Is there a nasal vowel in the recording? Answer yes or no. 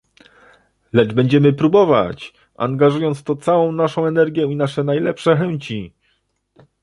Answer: yes